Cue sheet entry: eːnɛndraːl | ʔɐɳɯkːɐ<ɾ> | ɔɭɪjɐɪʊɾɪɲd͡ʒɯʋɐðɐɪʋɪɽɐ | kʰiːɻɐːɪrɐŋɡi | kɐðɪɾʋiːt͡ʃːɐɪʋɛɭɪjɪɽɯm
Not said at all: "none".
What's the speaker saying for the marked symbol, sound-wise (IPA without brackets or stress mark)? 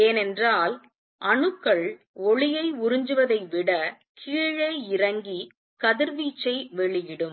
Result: ɭ